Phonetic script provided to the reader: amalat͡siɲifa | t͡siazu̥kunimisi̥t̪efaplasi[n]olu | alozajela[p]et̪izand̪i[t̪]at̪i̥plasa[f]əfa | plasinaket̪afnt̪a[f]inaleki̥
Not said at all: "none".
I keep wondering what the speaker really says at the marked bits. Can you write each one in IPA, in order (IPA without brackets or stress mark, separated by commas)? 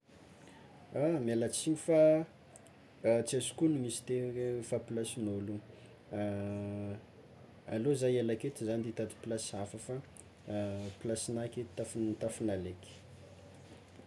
n, k, t̪, f, f